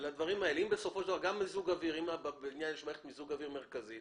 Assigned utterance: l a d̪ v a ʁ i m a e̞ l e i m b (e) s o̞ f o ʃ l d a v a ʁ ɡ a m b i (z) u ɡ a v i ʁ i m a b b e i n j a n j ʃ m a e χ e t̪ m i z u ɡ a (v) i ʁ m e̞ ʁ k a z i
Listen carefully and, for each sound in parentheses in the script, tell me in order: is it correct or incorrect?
correct, correct, correct

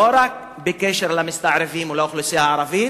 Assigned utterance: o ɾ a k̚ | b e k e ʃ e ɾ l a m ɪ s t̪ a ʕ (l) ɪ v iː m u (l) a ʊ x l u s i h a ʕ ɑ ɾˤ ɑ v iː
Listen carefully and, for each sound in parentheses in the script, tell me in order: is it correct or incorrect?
incorrect: ɾ, correct

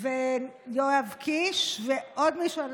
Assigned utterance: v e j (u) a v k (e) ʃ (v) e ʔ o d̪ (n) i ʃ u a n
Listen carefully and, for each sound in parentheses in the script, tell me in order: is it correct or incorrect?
incorrect: o, incorrect: i, correct, incorrect: m

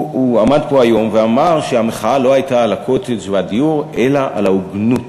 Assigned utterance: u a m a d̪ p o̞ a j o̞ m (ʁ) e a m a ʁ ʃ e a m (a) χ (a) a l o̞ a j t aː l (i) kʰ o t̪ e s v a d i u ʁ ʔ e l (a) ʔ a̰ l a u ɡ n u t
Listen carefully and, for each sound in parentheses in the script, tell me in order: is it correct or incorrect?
incorrect: v, incorrect: e, correct, incorrect: a, correct

